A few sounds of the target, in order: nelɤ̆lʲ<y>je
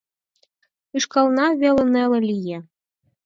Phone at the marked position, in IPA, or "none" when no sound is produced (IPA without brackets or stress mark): i